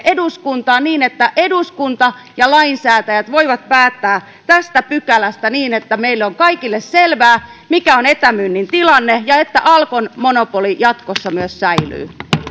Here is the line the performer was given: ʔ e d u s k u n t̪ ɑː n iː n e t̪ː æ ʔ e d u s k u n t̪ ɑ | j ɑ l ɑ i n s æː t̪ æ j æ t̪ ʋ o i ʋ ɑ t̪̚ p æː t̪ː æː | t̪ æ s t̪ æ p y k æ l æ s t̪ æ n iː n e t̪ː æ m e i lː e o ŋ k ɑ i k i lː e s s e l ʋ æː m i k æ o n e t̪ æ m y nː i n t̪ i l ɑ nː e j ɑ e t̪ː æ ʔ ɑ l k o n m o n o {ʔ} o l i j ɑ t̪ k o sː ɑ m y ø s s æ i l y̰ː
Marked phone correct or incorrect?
incorrect: p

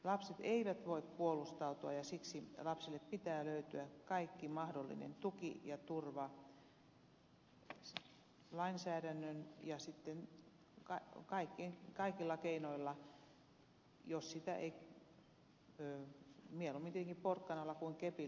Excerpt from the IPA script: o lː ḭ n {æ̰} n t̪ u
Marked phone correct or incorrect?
incorrect: ḛ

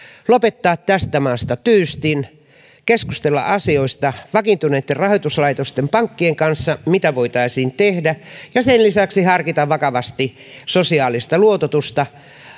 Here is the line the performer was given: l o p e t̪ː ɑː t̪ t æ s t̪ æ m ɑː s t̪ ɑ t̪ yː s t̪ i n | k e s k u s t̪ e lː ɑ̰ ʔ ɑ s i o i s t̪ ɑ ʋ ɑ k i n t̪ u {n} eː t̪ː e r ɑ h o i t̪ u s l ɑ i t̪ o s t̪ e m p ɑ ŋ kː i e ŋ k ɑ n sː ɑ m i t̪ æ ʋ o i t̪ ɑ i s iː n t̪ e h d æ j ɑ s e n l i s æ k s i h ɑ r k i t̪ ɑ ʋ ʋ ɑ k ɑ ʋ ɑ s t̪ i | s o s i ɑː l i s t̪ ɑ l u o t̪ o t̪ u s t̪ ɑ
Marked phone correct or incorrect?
correct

